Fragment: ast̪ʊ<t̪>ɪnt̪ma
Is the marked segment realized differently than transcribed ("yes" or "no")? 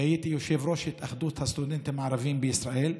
yes